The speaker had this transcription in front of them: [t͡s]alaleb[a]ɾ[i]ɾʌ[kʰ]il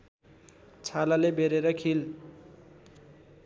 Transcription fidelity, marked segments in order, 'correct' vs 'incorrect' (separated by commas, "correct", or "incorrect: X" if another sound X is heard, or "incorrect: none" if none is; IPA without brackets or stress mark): incorrect: t͡sʰ, incorrect: e, incorrect: e, correct